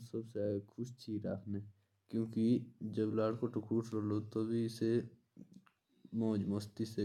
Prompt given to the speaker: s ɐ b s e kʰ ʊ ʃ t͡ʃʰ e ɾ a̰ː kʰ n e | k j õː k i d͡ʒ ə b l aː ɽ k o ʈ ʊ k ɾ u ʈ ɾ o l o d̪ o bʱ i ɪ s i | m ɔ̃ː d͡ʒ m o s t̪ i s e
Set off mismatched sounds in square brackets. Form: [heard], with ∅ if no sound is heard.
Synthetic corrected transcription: s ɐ b s e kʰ ʊ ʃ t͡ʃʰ [i] ɾ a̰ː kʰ n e | k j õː k i d͡ʒ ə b l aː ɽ k o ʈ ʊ k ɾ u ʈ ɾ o l o [t̪] o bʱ i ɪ s [e] | m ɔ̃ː d͡ʒ m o s t̪ i s e